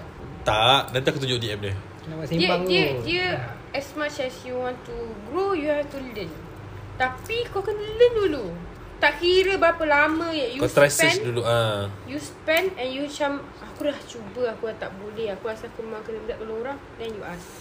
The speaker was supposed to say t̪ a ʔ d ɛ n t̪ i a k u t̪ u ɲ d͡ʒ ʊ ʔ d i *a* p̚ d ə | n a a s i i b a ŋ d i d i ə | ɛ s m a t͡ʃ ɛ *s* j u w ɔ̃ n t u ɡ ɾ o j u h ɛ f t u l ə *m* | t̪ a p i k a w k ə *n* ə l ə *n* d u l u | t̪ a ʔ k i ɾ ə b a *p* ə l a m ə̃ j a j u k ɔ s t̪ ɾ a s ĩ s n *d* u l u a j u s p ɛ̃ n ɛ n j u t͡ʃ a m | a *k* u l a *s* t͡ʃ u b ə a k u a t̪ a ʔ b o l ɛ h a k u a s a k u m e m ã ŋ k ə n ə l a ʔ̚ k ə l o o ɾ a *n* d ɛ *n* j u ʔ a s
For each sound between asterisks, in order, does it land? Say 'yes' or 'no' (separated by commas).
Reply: no, yes, no, yes, yes, yes, yes, yes, no, no, yes